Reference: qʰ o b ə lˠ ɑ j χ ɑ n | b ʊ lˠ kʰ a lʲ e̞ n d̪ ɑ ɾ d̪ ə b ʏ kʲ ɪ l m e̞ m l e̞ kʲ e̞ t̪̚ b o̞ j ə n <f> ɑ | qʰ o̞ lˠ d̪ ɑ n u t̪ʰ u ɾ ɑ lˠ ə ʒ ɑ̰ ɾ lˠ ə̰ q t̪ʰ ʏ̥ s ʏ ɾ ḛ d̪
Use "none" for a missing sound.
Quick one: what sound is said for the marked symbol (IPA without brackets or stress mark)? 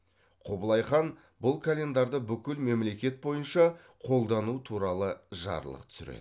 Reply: ʃ